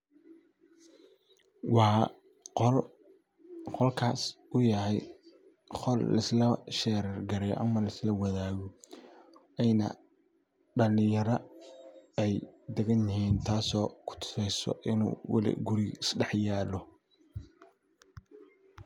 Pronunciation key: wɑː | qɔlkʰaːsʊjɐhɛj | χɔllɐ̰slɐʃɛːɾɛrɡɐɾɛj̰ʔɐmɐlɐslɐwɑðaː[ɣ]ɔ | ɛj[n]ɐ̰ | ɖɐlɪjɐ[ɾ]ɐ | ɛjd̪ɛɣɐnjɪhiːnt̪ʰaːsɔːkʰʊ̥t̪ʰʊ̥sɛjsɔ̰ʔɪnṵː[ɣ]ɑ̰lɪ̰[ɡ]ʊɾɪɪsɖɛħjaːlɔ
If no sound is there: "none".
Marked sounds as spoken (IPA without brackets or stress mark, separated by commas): ɣ, n, ɾ, w, ɡ